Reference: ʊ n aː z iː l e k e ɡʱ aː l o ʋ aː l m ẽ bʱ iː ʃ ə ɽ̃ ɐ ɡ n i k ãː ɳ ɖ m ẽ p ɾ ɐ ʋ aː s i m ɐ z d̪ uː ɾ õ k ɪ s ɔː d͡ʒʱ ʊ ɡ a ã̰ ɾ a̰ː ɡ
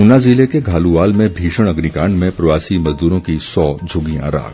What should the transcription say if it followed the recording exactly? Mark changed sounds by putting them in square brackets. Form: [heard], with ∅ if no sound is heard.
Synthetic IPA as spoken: ʊ n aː z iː l e k e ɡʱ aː l [u] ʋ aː l m ẽ bʱ iː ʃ ə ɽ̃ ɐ ɡ n i k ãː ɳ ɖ m ẽ p ɾ ɐ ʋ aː s i m ɐ z d̪ uː ɾ õ k [i] s ɔː d͡ʒʱ ʊ ɡ [i] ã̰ ɾ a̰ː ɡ